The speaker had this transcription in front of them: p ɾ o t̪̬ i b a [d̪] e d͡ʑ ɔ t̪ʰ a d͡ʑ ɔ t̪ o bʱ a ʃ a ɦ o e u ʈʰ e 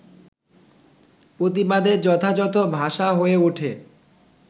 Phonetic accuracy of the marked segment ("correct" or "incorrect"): correct